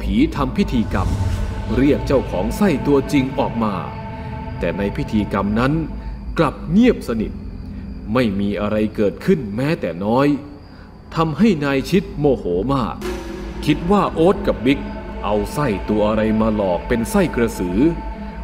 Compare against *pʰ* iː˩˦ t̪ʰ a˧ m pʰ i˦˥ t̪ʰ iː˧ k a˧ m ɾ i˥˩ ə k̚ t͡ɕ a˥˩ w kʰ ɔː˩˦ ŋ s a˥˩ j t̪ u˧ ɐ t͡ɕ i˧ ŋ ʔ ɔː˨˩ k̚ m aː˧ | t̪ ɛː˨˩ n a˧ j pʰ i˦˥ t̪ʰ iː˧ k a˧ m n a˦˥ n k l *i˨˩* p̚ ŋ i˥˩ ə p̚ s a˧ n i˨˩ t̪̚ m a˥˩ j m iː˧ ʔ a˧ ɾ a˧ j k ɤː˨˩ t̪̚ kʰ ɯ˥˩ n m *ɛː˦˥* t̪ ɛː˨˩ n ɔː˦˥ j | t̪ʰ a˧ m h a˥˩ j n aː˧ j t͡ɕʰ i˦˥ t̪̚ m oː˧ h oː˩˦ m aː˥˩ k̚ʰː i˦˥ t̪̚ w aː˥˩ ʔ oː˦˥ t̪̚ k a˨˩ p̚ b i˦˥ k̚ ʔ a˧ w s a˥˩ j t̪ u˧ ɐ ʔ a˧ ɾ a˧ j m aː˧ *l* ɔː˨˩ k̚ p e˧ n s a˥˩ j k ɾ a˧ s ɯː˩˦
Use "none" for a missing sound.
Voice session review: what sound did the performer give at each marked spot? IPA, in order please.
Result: pʰ, a˨˩, ɛː˦˥, l

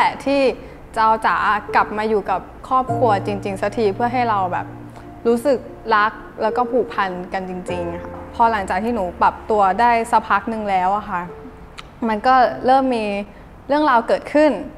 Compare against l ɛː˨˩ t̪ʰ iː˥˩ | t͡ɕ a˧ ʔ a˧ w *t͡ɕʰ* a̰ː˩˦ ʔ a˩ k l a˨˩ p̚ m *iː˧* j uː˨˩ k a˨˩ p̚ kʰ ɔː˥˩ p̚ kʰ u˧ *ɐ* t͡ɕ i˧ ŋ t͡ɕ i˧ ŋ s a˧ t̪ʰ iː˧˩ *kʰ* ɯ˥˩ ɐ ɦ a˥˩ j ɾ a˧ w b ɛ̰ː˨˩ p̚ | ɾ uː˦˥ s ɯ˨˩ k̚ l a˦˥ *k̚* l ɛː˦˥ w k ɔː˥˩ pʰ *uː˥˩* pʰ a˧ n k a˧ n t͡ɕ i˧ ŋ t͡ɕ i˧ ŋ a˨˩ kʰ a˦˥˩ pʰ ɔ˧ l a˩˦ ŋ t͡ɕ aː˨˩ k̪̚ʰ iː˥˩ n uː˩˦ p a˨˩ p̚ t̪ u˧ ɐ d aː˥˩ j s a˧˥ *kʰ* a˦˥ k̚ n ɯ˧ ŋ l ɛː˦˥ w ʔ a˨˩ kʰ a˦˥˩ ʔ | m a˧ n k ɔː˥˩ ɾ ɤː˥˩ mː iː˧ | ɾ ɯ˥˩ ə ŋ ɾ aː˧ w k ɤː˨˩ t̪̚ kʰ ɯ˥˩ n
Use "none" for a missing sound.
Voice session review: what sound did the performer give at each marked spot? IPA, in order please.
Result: t͡ɕ, aː˧, ɐ, pʰ, k̚, uː˨˩, pʰ

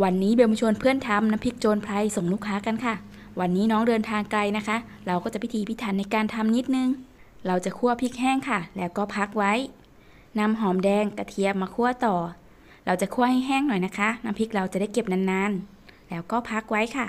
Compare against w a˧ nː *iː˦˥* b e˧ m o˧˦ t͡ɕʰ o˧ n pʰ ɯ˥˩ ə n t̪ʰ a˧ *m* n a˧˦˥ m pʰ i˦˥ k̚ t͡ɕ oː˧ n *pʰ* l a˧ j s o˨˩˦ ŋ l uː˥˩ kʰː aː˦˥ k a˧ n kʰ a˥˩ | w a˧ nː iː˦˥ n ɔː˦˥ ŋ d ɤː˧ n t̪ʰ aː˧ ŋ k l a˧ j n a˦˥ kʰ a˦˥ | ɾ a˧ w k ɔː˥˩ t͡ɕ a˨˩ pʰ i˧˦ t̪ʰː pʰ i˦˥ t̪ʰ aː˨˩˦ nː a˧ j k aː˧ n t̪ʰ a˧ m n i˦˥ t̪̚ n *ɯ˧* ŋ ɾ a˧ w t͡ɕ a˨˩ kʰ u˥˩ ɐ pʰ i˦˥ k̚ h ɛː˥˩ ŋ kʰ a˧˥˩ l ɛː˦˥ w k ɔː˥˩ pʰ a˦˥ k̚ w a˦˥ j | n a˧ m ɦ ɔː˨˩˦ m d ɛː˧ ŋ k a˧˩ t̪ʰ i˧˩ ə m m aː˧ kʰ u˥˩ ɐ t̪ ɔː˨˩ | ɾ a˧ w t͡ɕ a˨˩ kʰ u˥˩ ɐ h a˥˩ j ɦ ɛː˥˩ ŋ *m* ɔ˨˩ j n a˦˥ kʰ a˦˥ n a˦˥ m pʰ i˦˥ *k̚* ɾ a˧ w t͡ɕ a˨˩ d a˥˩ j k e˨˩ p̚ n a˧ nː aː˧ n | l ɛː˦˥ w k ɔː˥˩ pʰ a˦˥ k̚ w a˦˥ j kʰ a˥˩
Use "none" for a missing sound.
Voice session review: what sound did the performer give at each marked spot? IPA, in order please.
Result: iː˦˥, m, pʰ, ɯ˧, n, k̚

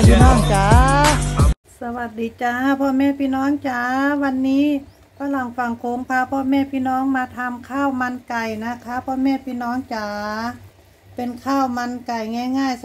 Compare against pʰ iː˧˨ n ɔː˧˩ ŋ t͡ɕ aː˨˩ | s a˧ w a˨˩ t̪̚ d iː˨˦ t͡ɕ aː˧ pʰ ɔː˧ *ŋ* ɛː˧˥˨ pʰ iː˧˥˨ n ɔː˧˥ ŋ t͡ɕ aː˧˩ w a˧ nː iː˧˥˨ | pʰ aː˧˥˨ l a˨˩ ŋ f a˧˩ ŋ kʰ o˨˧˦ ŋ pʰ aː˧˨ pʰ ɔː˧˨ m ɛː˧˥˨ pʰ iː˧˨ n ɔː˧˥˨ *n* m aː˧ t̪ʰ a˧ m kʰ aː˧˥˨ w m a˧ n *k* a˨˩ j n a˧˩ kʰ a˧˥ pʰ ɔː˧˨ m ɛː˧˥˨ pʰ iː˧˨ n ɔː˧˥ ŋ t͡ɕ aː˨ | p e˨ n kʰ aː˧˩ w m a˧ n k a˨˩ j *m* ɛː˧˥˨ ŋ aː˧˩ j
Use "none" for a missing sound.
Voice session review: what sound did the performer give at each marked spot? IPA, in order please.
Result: m, ŋ, k, ŋ

